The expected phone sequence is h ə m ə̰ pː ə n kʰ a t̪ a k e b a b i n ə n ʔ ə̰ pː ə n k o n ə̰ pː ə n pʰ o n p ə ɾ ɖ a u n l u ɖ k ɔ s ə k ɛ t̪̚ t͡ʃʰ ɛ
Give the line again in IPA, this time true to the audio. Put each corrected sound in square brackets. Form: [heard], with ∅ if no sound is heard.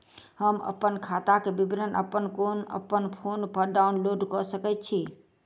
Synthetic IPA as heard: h ə m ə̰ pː ə n kʰ a t̪ a k e b [i] b i n ə n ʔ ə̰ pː ə n k o n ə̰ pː ə n pʰ o n p ə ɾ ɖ a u n l [o] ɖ k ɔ s ə k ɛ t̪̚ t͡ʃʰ [i]